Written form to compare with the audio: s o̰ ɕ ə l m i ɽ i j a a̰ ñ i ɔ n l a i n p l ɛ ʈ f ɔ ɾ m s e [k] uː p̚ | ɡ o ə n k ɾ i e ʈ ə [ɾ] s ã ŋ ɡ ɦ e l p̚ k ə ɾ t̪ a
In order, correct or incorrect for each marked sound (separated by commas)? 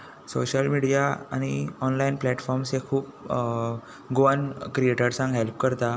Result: incorrect, correct